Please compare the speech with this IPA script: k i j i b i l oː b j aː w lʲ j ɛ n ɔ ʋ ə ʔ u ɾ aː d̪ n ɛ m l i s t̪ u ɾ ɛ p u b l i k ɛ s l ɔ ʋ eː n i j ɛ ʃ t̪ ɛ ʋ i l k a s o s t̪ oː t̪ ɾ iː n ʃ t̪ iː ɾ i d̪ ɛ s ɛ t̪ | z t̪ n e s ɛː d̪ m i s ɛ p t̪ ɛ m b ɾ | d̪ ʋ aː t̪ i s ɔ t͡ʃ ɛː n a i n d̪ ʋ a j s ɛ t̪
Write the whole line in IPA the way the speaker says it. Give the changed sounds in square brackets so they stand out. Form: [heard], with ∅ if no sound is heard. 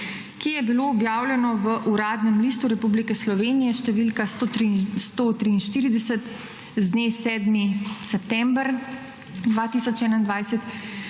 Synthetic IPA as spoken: k i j [ɛ] b i l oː b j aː w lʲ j ɛ n ɔ ʋ ə ʔ u ɾ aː d̪ n ɛ m l i s t̪ u ɾ ɛ p u b l i k ɛ s l ɔ ʋ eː n i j ɛ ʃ t̪ ɛ ʋ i l k a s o s t̪ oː t̪ ɾ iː n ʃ t̪ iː ɾ i d̪ ɛ s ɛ t̪ | z [d̪] n e s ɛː d̪ m i s ɛ p t̪ ɛ m b ɾ | d̪ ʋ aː t̪ i s ɔ t͡ʃ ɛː n a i n d̪ ʋ a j s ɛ t̪